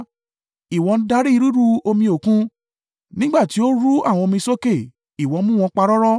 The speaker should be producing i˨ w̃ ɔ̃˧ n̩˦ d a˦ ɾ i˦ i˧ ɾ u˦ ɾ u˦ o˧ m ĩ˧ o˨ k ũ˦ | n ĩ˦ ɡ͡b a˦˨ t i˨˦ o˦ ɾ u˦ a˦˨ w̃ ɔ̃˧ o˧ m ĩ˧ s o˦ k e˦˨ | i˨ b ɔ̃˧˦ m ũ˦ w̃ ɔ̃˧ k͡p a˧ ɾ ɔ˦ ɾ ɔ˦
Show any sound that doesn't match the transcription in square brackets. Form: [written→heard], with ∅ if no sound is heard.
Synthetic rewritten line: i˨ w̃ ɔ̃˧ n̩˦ d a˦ ɾ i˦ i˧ ɾ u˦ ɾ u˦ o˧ m ĩ˧ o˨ k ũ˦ | n ĩ˦ ɡ͡b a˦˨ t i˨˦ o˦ ɾ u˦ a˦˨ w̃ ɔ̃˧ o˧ m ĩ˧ s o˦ k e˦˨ | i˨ [b→w] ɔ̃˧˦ m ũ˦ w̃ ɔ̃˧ k͡p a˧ ɾ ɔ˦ ɾ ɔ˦